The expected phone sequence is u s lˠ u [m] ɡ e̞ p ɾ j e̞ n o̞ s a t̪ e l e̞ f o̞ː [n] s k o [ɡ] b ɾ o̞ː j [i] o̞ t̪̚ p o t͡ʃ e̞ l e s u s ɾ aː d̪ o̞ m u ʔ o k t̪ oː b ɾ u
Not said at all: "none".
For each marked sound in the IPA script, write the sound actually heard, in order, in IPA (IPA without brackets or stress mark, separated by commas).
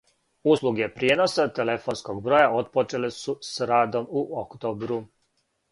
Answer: none, n, ɡ, a